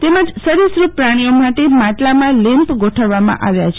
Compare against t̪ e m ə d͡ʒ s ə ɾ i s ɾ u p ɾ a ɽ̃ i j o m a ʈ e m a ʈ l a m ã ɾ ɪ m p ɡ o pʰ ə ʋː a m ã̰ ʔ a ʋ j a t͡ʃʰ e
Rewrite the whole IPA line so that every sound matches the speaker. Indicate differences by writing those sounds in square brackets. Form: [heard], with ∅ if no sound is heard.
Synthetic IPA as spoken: t̪ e m ə d͡ʒ s ə ɾ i s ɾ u p ɾ a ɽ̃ i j o m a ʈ e m a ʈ l a m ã [l] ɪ m p ɡ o [ʈʰ] ə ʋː a m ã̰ ʔ a ʋ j a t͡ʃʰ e